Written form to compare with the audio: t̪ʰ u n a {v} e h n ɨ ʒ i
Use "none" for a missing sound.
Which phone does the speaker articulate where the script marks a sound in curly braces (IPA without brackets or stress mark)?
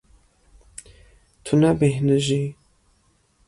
b